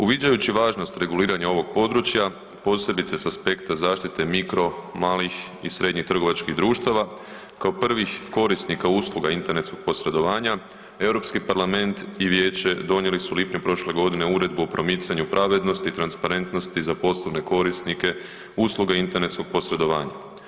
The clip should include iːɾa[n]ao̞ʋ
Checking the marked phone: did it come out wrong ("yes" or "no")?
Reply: yes